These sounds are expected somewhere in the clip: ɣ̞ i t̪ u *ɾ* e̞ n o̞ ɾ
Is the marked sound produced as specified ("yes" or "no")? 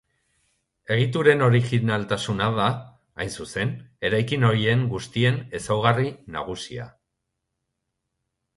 yes